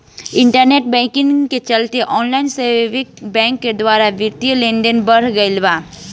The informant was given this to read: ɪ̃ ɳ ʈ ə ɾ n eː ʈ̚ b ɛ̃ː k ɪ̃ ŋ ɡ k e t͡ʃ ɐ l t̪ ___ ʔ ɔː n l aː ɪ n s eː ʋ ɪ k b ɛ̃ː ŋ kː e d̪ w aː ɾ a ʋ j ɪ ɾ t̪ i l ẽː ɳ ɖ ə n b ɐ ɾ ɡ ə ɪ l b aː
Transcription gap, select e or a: e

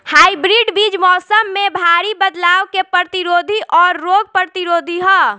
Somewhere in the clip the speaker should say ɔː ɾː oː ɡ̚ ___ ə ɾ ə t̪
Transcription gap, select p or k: p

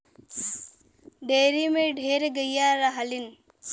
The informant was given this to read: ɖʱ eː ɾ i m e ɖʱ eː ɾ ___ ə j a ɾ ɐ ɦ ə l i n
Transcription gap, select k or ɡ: ɡ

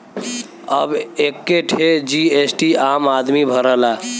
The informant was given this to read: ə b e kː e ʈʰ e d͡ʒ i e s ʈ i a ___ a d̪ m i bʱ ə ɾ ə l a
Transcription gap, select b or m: m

